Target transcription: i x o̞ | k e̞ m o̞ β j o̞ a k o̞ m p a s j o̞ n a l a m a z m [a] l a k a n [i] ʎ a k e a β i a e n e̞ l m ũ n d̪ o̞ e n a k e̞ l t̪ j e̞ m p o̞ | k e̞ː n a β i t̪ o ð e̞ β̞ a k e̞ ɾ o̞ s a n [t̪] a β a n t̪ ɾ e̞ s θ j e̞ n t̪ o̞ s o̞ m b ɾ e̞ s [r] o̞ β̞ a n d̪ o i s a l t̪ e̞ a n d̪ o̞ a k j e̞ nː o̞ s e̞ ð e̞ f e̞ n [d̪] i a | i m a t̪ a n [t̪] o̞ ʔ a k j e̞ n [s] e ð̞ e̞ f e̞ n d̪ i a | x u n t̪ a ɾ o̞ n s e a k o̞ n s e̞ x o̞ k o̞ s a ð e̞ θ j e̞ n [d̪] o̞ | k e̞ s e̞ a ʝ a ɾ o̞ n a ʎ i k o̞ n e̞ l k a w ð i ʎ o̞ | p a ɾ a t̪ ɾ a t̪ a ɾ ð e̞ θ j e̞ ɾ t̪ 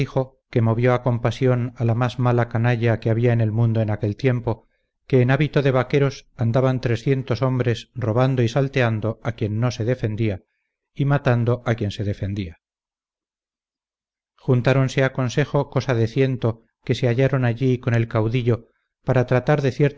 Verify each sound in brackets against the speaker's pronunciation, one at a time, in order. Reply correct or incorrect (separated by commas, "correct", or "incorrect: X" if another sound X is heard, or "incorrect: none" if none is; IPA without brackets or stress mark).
correct, incorrect: a, incorrect: d̪, correct, correct, incorrect: d̪, correct, incorrect: t̪